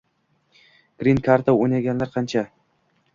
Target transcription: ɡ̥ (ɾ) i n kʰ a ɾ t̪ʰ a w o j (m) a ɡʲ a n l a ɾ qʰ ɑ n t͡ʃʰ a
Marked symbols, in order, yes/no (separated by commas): yes, no